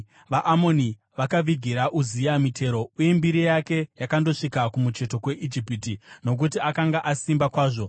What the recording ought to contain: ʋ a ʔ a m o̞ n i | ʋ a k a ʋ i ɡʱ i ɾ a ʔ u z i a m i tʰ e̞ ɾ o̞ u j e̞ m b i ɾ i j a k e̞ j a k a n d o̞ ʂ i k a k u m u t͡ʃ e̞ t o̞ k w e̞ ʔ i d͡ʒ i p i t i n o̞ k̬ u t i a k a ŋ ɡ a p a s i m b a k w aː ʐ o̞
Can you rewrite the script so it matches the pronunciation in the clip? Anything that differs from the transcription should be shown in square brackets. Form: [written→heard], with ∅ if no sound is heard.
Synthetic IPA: ʋ a ʔ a m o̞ n i | ʋ a k a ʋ i ɡʱ i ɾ a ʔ u z i a m i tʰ e̞ ɾ o̞ u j e̞ m b i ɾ i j a k e̞ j a k a n d o̞ ʂ i k a k u m u t͡ʃ e̞ t o̞ k w e̞ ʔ i d͡ʒ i p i t i n o̞ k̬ u t i a k a ŋ ɡ a [p→ʔ] a s i m b a k w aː ʐ o̞